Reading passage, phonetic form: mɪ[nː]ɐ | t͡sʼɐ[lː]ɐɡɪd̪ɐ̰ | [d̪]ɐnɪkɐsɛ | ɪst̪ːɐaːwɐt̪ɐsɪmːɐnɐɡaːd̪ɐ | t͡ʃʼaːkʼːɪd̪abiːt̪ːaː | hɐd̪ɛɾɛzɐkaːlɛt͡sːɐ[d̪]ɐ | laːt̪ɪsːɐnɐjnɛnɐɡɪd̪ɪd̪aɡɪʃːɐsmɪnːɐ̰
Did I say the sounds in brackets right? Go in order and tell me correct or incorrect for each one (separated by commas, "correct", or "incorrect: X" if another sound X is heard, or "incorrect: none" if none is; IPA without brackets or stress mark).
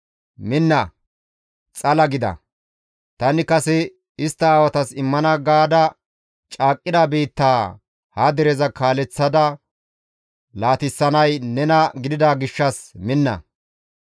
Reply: correct, incorrect: l, incorrect: t̪, correct